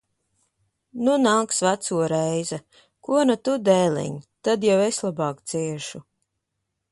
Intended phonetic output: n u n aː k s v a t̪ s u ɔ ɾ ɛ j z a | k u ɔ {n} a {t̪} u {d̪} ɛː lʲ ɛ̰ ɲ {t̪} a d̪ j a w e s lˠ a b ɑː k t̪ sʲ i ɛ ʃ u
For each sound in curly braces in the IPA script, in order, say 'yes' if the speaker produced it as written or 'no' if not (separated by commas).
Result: yes, yes, yes, yes